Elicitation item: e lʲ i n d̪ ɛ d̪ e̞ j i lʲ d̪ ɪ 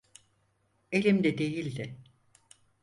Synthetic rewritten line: e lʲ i m d̪ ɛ d̪ e̞ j i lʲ d̪ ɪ